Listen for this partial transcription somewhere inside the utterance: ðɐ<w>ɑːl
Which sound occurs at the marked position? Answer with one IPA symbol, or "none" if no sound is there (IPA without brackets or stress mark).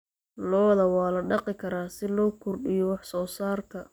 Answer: w